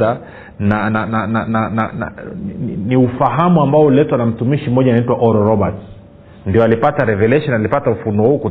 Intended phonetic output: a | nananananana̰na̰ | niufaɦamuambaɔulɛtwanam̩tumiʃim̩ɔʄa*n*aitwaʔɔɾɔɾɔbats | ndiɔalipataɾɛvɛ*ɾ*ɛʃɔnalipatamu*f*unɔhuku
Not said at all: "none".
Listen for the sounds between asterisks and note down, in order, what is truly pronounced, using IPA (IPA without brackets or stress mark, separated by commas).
n, l, f